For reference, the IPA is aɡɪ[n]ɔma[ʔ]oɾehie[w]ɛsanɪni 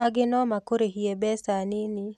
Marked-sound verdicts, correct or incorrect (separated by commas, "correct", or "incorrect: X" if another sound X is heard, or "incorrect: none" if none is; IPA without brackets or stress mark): correct, incorrect: k, incorrect: b